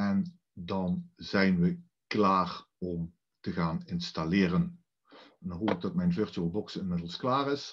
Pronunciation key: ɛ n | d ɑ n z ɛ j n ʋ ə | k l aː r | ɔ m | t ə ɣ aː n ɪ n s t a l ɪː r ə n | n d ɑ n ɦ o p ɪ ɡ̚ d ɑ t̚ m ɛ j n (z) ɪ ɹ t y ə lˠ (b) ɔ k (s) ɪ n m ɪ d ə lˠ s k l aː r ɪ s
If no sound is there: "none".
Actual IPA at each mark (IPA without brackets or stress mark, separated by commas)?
v, b, s